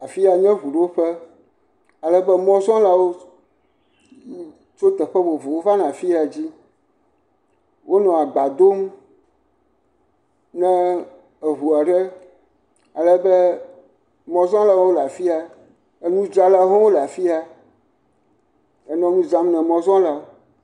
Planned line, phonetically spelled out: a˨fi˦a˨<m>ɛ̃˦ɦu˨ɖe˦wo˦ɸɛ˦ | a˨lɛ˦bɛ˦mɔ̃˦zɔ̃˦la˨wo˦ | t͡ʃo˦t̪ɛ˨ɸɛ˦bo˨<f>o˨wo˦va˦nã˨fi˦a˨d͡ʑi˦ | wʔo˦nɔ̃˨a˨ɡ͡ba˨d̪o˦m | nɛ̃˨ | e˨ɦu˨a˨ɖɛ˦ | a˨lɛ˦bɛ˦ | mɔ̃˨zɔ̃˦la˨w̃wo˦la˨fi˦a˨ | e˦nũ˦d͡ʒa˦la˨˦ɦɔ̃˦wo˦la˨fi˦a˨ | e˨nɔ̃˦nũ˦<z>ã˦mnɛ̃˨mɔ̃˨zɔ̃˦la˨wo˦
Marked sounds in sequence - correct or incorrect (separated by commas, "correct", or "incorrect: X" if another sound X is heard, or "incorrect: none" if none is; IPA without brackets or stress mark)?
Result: incorrect: ɲ, incorrect: v, correct